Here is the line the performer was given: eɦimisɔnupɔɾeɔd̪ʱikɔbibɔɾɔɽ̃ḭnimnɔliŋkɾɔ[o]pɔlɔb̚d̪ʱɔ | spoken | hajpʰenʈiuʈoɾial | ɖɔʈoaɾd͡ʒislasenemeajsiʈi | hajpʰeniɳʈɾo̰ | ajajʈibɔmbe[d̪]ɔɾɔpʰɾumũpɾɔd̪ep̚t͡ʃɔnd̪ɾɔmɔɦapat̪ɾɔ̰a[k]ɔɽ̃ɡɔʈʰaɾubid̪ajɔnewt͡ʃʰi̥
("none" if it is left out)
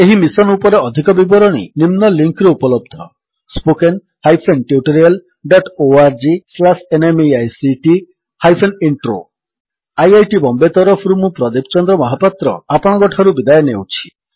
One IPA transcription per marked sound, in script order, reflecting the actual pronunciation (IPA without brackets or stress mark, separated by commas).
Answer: u, t̪, p